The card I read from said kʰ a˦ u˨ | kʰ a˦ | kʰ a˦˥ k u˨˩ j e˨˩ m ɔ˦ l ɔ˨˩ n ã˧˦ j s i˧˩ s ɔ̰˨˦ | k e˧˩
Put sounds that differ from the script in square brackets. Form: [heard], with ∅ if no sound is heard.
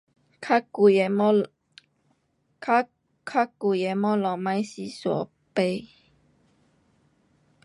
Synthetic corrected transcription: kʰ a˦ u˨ | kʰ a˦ | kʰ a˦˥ k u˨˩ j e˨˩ m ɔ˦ l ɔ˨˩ [m] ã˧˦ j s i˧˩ s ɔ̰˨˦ | [p] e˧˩